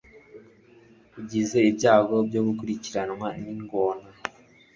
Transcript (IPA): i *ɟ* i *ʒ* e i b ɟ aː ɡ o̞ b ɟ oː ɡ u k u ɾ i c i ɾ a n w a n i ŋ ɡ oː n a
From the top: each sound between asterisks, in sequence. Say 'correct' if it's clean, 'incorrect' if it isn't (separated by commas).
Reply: correct, incorrect